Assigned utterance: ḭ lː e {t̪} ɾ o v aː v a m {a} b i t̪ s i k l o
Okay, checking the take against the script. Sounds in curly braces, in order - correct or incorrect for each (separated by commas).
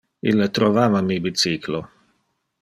correct, incorrect